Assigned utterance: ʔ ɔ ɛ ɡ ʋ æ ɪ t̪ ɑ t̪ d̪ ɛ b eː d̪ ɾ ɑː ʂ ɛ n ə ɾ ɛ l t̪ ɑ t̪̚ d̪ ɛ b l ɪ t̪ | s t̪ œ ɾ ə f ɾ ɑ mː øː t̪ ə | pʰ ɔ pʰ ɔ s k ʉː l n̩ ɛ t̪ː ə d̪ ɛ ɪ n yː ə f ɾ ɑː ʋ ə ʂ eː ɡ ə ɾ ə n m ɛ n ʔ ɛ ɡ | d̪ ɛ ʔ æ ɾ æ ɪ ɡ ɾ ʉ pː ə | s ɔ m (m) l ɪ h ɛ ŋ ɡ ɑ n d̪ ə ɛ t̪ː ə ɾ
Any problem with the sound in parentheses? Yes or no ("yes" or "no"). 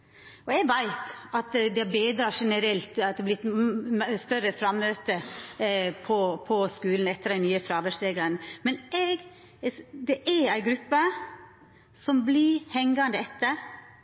yes